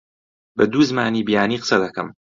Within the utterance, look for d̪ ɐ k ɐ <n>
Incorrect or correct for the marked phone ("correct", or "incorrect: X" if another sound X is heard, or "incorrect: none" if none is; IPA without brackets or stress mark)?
incorrect: m